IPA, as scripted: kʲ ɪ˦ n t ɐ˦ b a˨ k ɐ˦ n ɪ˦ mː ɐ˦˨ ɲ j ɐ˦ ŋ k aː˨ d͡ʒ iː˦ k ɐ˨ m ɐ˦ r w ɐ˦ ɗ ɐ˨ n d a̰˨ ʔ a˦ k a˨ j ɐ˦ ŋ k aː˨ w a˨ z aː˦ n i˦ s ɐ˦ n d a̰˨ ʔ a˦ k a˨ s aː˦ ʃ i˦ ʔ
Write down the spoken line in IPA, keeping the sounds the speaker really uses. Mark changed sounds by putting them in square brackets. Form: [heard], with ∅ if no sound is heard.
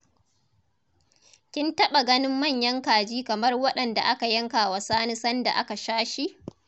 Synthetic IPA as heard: kʲ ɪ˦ n t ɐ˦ [ɓ] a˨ [ɡ] ɐ˦ n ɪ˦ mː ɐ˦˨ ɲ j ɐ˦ ŋ k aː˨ d͡ʒ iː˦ k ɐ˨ m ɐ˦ r w ɐ˦ ɗ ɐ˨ n d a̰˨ ʔ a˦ k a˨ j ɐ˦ ŋ k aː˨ w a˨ [s] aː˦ n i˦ s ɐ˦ n d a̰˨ ʔ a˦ k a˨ [ʃ] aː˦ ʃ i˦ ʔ